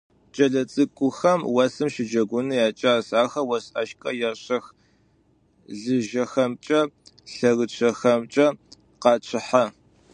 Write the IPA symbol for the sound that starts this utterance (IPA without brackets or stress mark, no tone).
t͡ʃʼ